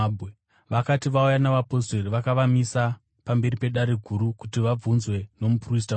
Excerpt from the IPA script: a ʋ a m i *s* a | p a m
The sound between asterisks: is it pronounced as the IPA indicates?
yes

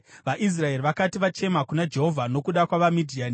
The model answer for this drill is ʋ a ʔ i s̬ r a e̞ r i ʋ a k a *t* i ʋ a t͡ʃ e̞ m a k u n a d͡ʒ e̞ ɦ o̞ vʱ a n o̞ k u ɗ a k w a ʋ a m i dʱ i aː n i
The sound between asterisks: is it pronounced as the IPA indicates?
yes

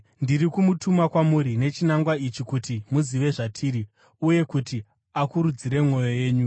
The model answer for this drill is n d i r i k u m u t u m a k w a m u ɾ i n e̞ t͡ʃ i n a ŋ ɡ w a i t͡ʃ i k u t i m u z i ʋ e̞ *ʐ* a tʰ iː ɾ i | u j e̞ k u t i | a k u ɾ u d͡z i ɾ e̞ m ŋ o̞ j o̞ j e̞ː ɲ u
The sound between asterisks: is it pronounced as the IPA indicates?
yes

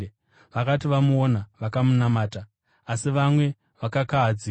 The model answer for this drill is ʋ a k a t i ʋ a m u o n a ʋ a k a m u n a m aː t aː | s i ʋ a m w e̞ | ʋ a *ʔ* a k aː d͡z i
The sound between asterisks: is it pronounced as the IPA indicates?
no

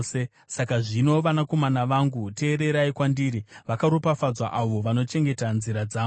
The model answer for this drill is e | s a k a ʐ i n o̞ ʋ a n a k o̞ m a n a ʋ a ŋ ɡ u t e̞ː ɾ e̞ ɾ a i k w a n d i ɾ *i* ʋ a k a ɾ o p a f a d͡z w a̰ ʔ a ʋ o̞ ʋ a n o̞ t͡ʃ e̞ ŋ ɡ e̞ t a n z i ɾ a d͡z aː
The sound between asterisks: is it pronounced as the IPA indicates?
yes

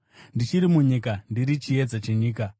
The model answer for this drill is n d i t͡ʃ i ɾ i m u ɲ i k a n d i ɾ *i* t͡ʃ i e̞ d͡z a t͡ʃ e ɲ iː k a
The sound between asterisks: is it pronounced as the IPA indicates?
yes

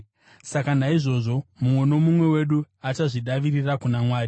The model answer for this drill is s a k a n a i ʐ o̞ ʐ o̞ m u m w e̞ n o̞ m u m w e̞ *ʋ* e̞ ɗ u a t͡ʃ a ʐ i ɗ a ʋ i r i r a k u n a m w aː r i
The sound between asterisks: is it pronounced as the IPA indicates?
no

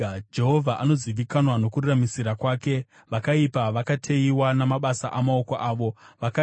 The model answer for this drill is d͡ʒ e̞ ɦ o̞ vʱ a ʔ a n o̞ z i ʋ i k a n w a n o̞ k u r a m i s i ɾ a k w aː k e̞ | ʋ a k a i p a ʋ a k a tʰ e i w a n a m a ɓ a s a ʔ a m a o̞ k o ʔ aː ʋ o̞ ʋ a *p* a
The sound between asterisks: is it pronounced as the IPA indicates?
no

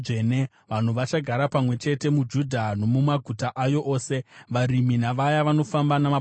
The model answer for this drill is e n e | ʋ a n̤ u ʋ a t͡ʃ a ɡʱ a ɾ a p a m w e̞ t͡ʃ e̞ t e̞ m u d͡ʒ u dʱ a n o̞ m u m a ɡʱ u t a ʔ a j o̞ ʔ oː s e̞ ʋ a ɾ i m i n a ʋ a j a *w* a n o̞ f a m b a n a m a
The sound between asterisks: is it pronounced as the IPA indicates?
no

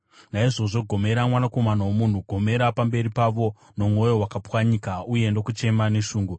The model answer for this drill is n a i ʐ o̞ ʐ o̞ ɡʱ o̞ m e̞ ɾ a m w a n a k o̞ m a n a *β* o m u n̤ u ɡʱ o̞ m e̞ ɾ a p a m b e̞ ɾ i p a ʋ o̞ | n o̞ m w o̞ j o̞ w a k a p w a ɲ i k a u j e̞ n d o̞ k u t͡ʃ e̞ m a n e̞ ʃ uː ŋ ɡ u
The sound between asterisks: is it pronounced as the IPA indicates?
no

